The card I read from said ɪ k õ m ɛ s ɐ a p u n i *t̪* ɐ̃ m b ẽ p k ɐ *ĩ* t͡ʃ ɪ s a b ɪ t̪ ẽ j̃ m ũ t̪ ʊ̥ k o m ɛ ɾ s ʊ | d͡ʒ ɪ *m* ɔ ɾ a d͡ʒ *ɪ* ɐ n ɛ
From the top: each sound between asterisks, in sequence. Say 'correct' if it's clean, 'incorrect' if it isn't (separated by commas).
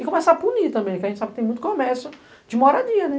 correct, incorrect, correct, incorrect